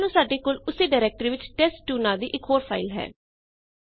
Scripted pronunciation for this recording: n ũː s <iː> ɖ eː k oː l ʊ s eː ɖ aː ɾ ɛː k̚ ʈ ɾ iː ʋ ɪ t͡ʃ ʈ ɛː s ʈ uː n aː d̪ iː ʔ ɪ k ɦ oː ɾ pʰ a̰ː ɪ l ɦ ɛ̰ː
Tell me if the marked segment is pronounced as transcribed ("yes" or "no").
no